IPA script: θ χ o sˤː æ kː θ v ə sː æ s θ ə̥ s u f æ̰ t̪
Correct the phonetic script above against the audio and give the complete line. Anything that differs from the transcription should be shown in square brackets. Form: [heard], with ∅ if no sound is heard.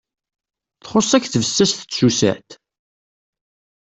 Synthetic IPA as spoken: θ χ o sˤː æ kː θ v ə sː æ s θ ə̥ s u [s] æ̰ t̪